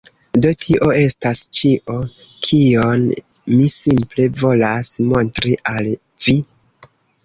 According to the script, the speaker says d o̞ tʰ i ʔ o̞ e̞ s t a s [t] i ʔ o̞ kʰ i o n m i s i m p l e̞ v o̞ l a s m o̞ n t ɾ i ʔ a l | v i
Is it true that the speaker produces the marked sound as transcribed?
no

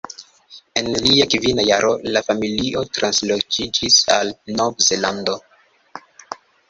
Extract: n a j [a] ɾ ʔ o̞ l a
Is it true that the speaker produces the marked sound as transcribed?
yes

